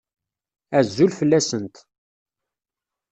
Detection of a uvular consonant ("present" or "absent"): absent